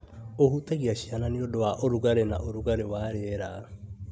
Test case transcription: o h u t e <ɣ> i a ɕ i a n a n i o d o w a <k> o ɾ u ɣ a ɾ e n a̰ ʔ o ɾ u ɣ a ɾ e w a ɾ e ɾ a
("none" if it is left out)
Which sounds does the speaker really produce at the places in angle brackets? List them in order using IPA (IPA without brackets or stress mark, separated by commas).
ɣ, ʔ